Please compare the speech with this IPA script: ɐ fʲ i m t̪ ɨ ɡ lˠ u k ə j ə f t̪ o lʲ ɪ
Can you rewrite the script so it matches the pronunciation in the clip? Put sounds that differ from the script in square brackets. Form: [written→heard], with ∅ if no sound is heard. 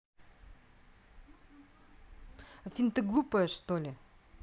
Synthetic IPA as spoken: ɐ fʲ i [m→n] t̪ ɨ ɡ lˠ u [k→p] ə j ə [f→ʂ] t̪ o lʲ ɪ